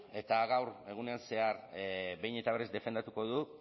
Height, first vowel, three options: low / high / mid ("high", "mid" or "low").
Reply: mid